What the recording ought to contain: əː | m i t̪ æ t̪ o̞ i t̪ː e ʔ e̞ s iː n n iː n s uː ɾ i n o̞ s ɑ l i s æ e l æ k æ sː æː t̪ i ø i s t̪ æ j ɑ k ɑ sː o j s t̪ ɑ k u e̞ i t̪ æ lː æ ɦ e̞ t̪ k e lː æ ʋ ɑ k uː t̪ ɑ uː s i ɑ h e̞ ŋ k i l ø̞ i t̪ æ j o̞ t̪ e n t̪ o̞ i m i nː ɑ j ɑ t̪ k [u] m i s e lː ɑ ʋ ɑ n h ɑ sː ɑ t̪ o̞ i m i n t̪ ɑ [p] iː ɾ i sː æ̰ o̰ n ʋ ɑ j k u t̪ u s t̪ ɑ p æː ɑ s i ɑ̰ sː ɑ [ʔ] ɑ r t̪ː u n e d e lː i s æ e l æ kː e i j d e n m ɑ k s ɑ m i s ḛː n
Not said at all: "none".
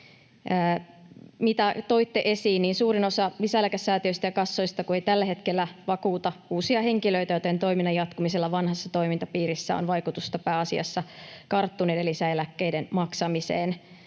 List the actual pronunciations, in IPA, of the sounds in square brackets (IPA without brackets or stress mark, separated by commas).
u, p, k